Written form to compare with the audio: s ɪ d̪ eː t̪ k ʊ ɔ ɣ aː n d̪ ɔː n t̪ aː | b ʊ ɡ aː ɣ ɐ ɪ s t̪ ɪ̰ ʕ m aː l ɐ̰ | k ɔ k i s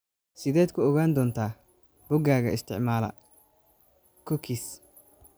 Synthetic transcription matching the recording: s ɪ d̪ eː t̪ k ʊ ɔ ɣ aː n d̪ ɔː n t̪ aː | b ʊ ɡ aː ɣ ɐ ɪ s t̪ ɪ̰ ʕ m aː l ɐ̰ | k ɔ k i s